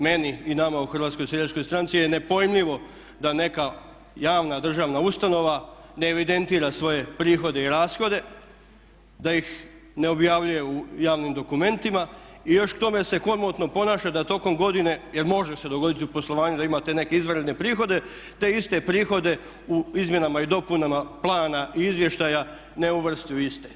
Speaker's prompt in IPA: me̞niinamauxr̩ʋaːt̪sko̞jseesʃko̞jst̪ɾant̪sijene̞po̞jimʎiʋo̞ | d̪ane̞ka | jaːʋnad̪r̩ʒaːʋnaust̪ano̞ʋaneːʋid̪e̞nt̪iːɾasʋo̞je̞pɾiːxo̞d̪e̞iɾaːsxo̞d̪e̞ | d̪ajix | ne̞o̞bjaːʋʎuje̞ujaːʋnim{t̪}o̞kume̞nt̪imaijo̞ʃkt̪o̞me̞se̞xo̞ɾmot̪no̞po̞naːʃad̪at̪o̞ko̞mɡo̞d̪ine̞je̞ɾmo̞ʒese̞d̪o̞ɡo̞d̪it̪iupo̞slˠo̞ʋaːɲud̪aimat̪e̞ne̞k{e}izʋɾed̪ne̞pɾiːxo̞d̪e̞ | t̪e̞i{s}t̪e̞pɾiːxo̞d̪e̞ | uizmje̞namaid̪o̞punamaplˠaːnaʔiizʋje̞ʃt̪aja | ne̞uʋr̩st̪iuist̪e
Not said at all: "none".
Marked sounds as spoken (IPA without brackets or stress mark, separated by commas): d̪, e, s